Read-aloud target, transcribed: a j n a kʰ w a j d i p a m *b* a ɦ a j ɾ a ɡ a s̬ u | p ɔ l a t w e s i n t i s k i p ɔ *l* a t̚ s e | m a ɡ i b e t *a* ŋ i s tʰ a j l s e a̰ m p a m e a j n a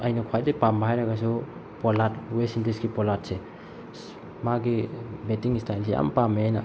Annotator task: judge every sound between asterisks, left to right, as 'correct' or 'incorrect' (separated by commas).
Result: correct, correct, incorrect